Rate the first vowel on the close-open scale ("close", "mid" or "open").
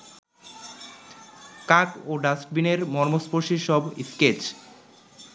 open